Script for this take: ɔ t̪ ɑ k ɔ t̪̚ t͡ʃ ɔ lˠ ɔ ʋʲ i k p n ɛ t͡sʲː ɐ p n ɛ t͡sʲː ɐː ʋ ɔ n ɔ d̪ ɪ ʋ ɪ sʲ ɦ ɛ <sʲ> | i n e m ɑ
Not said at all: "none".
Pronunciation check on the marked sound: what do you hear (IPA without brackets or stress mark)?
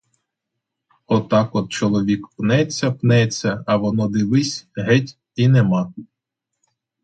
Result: tʲ